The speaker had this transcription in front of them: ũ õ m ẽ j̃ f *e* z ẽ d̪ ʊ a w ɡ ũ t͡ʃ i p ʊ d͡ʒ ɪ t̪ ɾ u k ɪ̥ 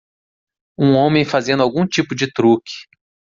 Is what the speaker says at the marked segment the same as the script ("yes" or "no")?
no